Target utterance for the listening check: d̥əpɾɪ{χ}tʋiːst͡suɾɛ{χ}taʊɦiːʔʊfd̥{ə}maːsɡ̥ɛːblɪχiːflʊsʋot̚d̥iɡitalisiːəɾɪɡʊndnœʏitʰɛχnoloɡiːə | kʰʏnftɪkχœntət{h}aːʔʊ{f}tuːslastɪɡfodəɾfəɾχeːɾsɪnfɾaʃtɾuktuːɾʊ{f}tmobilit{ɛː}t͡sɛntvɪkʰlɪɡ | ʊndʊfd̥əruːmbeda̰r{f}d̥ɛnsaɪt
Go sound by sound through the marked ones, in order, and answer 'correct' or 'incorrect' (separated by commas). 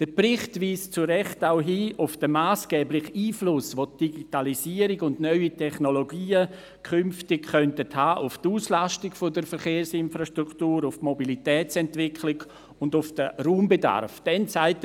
correct, correct, correct, correct, correct, correct, correct, correct